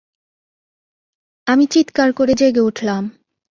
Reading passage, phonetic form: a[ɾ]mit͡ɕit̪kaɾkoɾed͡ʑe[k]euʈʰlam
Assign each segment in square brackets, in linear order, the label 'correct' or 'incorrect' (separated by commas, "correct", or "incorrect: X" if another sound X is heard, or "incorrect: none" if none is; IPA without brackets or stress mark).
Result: incorrect: none, incorrect: ɡ